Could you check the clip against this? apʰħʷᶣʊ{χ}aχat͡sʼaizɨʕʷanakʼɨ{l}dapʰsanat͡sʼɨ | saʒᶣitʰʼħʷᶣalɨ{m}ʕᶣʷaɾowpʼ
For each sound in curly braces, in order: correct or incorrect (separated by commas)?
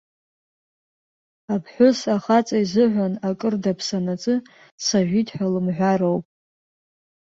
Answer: incorrect, incorrect, correct